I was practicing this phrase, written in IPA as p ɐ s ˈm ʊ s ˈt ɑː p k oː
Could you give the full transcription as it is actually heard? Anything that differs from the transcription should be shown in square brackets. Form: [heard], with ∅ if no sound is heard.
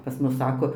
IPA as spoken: p ɐ s ˈm ʊ s [ˈs] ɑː [∅] k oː